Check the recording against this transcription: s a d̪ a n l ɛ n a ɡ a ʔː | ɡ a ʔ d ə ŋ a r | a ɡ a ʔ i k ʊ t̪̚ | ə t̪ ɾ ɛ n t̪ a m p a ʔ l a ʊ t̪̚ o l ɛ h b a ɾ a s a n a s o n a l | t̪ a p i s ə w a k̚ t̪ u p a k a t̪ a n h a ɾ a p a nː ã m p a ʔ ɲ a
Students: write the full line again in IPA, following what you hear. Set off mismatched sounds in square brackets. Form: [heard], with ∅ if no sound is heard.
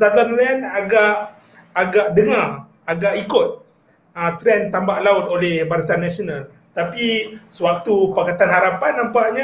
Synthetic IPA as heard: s a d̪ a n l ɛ n a ɡ a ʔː | ɡ a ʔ d ə ŋ a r | a ɡ a ʔ i k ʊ t̪̚ | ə t̪ ɾ ɛ n t̪ a m [b] a ʔ l a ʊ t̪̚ o l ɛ h b a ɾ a s a n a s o n a l | t̪ a p i s ə w a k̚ t̪ u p a k a t̪ a n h a ɾ a p a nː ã m p a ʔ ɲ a